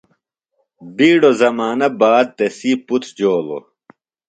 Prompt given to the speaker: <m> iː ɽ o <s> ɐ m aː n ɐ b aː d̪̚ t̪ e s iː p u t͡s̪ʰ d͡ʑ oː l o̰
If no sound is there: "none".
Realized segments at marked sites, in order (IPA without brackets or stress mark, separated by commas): b, z